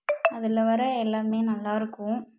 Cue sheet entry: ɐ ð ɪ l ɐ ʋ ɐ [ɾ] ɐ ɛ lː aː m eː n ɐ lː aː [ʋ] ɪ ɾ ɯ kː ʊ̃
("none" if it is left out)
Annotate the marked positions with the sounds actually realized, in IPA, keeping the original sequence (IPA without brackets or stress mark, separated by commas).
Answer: ɾ, none